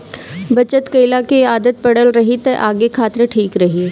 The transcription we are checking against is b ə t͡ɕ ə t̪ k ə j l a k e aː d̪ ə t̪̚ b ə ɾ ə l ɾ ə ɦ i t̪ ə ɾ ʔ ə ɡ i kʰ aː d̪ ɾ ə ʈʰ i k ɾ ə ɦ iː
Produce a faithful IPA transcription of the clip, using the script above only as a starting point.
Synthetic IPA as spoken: b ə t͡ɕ ə t̪ k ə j l a k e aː d̪ ə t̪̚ p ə ɽ ə l ɾ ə ɦ i t̪ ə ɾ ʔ a ɡ e kʰ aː t̪ ɾ ə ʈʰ iː k ɾ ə ɦ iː